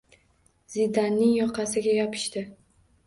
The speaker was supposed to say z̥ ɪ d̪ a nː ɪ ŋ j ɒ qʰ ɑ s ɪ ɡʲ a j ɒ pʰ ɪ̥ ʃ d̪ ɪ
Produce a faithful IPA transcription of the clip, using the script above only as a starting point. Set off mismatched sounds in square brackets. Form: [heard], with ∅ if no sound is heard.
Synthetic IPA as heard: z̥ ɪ d̪ a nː ɪ ŋ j ɒ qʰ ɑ s ɪ ɡʲ a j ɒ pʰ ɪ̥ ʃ [t̪] ɪ